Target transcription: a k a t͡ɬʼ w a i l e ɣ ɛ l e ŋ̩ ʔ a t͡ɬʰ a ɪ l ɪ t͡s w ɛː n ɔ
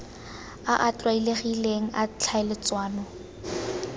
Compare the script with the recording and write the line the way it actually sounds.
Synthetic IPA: a ʔ a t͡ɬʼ w a i l e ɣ i l e ŋ̩ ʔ a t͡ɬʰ a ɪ l ɪ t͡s w aː n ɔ

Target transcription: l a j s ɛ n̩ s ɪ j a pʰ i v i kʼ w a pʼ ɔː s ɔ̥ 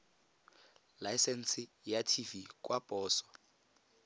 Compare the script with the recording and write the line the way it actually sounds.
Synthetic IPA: l a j s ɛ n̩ s ɪ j a tʰ i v i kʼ w a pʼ ɔː s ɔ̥

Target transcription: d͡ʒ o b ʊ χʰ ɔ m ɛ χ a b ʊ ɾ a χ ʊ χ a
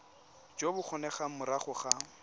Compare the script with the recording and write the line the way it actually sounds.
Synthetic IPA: d͡ʒ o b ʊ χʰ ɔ n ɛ χ a m ʊ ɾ a χ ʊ χ a

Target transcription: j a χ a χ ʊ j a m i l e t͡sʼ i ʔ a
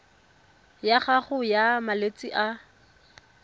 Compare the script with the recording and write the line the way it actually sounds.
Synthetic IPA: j a χ a χ ʊ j a m a l e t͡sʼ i ʔ a

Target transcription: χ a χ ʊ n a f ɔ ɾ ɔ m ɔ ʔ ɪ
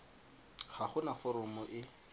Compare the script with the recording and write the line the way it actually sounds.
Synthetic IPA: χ a χ ʊ n a f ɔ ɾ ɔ m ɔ ʔ ɪ

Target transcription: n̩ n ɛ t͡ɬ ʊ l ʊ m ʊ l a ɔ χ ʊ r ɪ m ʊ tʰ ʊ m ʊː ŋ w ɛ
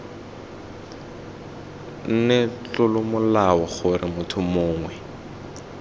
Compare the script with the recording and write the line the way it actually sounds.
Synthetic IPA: n̩ n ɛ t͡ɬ ʊ l ʊ m ʊ l a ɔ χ ʊ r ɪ m ʊ tʰ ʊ m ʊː ŋ w ɛ

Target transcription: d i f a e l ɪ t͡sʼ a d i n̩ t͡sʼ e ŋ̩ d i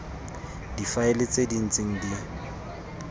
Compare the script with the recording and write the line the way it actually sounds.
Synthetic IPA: d i f a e l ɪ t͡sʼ e d i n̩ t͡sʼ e ŋ̩ d i

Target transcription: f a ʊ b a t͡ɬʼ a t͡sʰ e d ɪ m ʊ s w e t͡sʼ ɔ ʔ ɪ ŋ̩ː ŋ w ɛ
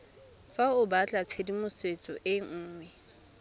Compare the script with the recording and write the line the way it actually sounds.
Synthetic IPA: f a ʊ b a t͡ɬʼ a t͡sʰ e d i m ʊ s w e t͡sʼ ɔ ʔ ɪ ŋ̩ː ŋ w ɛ

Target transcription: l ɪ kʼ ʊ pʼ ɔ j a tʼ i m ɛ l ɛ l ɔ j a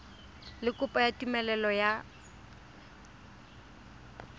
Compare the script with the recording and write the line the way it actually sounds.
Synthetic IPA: l ɪ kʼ ʊ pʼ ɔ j a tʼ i m ɛ l ɛ l ɔ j a

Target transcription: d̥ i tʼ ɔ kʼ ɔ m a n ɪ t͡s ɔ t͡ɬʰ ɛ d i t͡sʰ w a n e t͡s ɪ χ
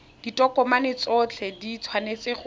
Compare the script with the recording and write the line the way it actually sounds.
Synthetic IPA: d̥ i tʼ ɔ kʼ ɔ m a n ɪ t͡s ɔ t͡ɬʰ ɛ d i t͡sʰ w a n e t͡s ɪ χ

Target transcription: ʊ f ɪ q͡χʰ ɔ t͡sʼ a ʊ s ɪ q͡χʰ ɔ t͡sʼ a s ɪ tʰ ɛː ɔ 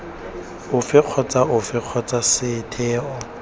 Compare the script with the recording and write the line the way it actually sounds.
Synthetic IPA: ʊ f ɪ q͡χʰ ɔ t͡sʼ a ʊ f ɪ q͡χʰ ɔ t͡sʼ a s ɪ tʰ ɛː ɔ

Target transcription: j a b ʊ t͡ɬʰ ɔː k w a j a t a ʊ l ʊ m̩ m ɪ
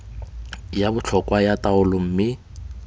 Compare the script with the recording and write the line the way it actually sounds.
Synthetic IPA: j a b ʊ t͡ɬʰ ɔ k w a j a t a ʊ l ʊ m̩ m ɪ

